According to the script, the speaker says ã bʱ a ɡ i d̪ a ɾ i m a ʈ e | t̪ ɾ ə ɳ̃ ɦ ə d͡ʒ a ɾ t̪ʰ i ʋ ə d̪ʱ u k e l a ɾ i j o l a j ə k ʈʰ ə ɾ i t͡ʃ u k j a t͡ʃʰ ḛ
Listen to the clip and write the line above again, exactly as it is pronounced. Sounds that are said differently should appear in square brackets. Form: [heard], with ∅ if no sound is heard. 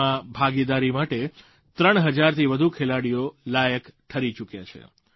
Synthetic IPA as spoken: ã bʱ a ɡ i d̪ a ɾ i m a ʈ e | t̪ ɾ ə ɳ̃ ɦ ə d͡ʒ a ɾ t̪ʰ i ʋ ə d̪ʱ u [kʰ] e l a [ɽ] i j o l a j ə k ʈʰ ə ɾ i t͡ʃ u k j a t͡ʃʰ ḛ

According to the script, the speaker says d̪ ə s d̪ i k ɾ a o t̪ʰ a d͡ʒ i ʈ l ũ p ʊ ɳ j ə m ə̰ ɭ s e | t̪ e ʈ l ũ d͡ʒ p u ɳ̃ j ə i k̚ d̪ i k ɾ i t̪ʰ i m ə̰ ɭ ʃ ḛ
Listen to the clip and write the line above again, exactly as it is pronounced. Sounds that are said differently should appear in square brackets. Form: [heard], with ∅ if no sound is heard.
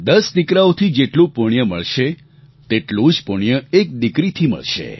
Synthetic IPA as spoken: d̪ ə s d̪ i k ɾ a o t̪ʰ [i] d͡ʒ [e] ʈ l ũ p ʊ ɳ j ə m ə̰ ɭ [ʃ] e | t̪ e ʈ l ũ d͡ʒ p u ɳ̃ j ə [e] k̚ d̪ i k ɾ i t̪ʰ i m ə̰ ɭ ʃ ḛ

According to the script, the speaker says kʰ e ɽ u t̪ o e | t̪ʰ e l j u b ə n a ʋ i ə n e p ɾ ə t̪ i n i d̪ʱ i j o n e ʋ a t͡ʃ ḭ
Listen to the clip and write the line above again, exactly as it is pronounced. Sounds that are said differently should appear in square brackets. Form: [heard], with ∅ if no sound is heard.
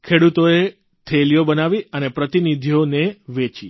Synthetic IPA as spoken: kʰ e ɽ u t̪ o e | t̪ʰ e l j [o] b ə n a ʋ i ə n e p ɾ ə t̪ i n i d̪ʱ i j o n e ʋ [e] t͡ʃ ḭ

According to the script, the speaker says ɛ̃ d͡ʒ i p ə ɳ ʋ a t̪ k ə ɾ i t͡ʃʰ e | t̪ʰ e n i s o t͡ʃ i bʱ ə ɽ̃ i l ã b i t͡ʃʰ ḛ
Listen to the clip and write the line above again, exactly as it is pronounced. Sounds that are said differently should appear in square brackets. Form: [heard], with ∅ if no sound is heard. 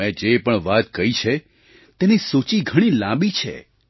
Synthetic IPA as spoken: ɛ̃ d͡ʒ [e] p ə ɳ ʋ a t̪ k ə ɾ i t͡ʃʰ e | [t̪] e n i s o t͡ʃ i [ɡʱ] ə ɽ̃ i l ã b i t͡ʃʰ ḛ

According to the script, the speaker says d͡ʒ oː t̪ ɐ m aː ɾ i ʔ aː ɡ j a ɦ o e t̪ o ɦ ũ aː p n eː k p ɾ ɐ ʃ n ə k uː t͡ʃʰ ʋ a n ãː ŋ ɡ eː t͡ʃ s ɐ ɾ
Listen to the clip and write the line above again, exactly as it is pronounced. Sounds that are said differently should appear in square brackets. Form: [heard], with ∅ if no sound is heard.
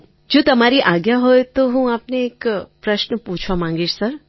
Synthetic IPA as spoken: d͡ʒ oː t̪ ɐ m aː ɾ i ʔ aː ɡ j a ɦ o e t̪ o ɦ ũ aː p n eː k p ɾ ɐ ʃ n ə [p] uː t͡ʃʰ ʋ a [m] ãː ŋ ɡ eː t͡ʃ s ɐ ɾ

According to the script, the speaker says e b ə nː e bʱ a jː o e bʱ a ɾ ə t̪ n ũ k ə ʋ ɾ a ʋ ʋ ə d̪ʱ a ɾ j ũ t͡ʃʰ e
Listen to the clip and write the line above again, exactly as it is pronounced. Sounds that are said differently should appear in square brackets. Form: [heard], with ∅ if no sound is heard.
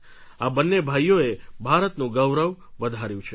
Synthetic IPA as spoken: [a] b ə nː e bʱ a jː o e bʱ a ɾ ə t̪ n ũ [ɡ] ə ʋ ɾ [ə] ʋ ʋ ə d̪ʱ a ɾ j ũ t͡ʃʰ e

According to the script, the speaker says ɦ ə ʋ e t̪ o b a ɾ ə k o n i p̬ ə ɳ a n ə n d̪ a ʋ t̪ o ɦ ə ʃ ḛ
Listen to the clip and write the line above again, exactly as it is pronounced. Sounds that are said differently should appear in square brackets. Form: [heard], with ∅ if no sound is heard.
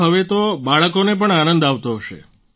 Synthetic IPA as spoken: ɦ ə ʋ e t̪ o b a [ɭ] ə k o n [e] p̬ ə ɳ a n ə n d̪ a ʋ t̪ o ɦ ə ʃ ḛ

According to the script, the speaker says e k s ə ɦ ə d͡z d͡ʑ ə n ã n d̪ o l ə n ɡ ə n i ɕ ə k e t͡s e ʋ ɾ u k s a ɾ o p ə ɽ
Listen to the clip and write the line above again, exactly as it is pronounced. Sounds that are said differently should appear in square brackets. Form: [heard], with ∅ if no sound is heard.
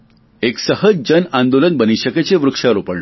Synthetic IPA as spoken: e k s ə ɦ ə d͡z d͡ʑ ə n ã n d̪ o l ə n [b] ə n i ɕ ə k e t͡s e ʋ ɾ u k [ʂ] a ɾ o p ə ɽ

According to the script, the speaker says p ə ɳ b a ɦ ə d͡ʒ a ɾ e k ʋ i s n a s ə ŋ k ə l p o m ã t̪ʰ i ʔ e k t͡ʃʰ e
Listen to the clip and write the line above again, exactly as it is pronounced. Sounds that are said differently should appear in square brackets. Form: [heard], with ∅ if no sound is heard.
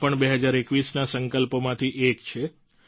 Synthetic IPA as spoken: p ə ɳ b [e] ɦ ə d͡ʒ a ɾ e k ʋ i s n a s ə ŋ k ə l p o m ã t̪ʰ i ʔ e k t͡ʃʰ e

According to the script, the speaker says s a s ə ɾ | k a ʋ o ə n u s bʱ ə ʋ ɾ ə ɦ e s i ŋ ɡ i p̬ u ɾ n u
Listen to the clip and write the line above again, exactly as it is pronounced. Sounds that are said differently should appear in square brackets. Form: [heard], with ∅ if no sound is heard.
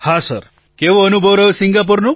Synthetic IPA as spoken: [h] a s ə ɾ | k [e] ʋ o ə n u [∅] bʱ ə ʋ ɾ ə ɦ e s i ŋ ɡ [a] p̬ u ɾ n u

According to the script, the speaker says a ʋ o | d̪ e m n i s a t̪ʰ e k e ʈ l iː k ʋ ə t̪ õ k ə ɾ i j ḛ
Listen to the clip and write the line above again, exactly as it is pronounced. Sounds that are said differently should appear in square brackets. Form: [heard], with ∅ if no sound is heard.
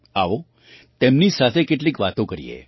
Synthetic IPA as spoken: a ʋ o | [t̪] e m n i s a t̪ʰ e k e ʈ l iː k ʋ [a] t̪ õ k ə ɾ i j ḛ

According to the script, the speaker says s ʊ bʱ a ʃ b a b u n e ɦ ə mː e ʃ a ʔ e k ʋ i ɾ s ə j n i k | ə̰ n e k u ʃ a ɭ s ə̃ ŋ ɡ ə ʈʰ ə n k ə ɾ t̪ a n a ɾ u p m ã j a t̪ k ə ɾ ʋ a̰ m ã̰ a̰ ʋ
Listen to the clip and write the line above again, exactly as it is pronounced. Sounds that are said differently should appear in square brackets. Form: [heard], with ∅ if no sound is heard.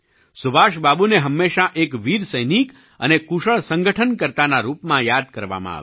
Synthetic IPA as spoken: s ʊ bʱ a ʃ b a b u n e ɦ ə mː e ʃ a ʔ e k ʋ i ɾ s ə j n i k | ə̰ n e k u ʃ [ə] ɭ s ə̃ ŋ ɡ ə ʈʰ ə n k ə ɾ t̪ a n a ɾ u p m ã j a [d̪] k ə ɾ ʋ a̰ m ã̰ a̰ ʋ

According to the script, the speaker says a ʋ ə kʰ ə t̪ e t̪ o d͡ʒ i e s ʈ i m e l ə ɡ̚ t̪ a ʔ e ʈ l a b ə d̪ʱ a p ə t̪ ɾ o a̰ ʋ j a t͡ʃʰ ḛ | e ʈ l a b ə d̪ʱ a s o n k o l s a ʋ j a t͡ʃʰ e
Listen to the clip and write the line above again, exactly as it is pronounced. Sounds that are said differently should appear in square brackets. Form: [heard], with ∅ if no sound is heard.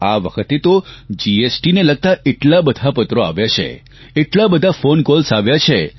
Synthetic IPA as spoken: a ʋ ə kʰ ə t̪ e t̪ o d͡ʒ i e s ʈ i [n] e l ə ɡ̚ t̪ a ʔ e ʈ l a b ə d̪ʱ a p ə t̪ ɾ o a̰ ʋ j a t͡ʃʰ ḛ | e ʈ l a b ə d̪ʱ a [f] o n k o l s a ʋ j a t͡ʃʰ e

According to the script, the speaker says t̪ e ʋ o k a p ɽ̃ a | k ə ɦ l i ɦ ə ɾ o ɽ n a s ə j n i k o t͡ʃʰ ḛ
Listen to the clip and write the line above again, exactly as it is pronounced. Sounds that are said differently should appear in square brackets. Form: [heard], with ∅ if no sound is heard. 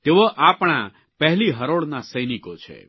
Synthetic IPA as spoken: t̪ e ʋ o [ʔ] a p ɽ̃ a | [p] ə ɦ l i ɦ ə ɾ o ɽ n a s ə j n i k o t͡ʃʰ ḛ

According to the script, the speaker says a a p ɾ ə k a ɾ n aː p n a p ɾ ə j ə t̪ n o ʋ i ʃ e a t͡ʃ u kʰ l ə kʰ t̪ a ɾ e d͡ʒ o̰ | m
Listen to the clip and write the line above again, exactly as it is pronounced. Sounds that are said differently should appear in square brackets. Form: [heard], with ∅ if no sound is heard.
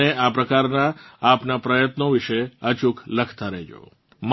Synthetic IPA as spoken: [e] a p ɾ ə k a ɾ n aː p n a p ɾ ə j ə t̪ n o ʋ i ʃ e [ə] t͡ʃ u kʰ l ə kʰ t̪ a ɾ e d͡ʒ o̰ | m

